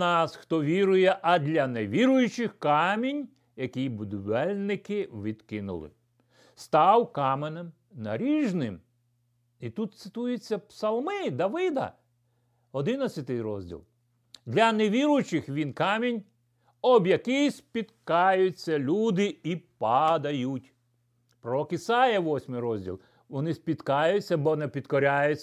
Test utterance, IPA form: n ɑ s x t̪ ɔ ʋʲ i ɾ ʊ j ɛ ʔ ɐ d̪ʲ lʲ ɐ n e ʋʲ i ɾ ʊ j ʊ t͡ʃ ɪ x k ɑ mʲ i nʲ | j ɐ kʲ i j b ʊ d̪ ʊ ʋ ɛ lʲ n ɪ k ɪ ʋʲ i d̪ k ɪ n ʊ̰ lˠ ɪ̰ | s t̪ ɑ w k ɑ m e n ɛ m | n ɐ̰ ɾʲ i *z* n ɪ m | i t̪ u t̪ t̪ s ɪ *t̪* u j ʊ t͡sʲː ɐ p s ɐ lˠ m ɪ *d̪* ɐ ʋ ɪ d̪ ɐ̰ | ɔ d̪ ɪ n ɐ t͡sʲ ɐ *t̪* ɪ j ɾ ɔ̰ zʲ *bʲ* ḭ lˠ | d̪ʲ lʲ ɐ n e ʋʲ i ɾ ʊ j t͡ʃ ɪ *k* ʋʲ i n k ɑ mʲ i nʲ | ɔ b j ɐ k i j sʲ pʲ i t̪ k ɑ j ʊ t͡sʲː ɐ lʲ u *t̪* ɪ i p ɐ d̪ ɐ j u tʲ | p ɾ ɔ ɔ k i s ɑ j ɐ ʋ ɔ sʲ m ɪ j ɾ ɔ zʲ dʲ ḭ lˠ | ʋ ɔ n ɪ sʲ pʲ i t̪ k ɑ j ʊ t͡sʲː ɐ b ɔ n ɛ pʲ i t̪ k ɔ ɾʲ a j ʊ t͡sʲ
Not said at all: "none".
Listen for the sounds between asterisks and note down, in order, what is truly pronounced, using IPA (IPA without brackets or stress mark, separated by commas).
ʒ, t̪, d̪, t̪, dʲ, x, d̪